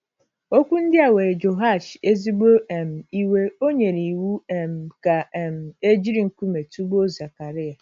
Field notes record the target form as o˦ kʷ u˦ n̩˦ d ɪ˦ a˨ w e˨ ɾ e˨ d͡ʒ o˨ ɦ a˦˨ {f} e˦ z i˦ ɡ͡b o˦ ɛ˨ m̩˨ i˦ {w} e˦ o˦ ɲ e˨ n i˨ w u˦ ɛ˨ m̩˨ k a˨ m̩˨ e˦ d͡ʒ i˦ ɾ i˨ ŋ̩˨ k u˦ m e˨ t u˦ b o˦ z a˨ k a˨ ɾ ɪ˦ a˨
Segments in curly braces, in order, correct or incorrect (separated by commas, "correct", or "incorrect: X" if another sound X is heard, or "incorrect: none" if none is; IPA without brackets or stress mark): incorrect: ʃ, correct